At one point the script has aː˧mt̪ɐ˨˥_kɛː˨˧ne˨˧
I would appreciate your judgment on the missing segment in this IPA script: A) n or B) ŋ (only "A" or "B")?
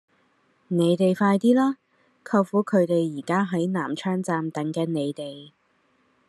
B